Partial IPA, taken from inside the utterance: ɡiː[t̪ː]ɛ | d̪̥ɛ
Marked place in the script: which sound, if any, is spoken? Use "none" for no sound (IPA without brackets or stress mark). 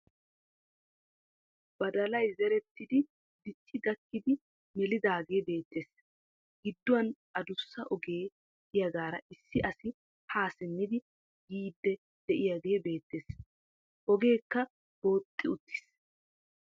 d̪ː